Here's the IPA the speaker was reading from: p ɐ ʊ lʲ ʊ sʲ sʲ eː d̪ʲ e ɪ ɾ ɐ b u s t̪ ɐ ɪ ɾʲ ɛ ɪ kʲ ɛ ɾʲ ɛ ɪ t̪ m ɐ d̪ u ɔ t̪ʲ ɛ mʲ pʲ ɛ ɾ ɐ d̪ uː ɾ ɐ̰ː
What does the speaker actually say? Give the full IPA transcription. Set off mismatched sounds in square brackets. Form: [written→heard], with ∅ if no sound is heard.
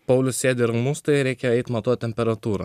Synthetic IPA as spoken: p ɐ ʊ lʲ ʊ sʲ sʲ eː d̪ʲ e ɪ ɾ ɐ [b→m] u s t̪ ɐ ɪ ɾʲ ɛ ɪ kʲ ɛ [ɾʲ→∅] ɛ ɪ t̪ m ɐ [d̪→t̪] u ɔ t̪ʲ ɛ mʲ pʲ ɛ ɾ ɐ [d̪→t̪] uː ɾ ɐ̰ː